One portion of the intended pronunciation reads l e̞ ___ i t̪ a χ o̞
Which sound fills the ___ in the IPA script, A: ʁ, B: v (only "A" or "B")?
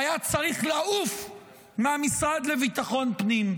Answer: B